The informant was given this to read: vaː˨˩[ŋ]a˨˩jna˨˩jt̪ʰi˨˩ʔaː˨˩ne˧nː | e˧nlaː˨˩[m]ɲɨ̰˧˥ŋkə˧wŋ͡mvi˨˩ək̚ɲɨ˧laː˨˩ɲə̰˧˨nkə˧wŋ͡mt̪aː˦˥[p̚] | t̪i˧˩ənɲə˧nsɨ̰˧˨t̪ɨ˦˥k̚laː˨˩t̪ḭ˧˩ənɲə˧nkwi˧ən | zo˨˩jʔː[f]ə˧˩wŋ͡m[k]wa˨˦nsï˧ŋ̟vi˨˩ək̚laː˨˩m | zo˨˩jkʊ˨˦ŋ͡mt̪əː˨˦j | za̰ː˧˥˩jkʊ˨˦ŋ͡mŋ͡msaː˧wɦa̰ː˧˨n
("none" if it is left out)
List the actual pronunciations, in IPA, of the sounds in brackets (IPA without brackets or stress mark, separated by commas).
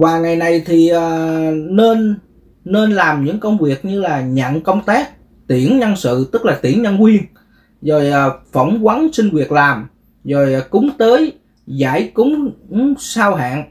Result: ŋ, m, k̚, f, k